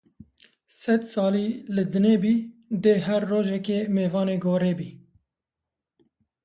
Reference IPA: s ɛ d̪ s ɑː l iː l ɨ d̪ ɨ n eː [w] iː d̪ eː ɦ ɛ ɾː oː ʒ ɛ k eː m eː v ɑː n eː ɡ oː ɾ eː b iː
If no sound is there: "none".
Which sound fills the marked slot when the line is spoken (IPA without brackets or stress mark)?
b